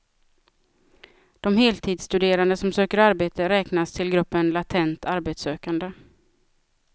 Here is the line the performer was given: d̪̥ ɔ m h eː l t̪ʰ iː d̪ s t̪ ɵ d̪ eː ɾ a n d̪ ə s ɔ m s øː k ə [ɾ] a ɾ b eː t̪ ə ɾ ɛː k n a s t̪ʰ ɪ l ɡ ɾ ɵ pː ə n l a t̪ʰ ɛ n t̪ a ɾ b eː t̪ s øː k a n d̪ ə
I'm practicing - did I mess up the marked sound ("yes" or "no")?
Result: no